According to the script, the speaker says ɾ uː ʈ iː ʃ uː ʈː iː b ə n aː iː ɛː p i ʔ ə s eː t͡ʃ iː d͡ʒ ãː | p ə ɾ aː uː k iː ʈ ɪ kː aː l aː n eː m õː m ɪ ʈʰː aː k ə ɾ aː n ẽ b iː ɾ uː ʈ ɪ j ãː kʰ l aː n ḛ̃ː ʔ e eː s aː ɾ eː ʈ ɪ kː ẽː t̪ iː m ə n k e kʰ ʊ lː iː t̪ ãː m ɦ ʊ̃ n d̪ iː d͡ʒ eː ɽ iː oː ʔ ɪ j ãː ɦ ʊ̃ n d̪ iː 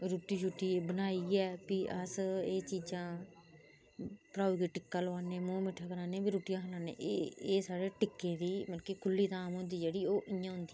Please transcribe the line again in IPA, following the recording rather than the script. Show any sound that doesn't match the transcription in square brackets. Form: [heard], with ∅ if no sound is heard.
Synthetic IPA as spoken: ɾ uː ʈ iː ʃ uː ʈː iː b ə n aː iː ɛː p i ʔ ə s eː t͡ʃ iː d͡ʒ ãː | p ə ɾ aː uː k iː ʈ ɪ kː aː l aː n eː m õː m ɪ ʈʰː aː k ə ɾ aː n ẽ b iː ɾ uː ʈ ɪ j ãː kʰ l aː n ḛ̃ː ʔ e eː s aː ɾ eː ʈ ɪ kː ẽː [d̪] iː m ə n k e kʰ ʊ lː iː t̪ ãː m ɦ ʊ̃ n d̪ iː d͡ʒ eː ɽ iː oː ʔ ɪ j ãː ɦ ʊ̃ n d̪ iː